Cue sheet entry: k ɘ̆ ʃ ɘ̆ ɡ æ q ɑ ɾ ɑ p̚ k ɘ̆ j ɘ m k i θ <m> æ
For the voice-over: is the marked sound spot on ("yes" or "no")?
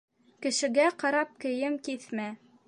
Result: yes